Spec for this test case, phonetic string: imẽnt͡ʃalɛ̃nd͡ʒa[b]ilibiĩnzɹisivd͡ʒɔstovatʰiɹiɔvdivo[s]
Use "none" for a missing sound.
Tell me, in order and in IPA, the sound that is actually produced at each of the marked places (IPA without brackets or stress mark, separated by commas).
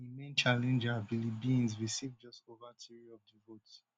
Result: b, t